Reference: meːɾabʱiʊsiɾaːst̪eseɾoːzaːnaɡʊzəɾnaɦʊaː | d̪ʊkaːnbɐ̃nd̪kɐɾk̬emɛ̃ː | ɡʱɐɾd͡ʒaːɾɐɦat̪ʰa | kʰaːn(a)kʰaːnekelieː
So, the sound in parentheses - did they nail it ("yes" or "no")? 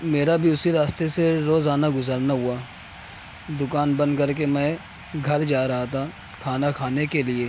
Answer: yes